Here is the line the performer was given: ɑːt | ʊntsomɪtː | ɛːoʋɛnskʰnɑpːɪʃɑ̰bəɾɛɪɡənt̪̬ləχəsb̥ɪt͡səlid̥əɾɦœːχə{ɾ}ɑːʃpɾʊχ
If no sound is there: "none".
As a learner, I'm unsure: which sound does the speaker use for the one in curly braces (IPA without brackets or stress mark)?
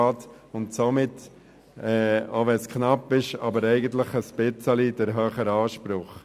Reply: ɾ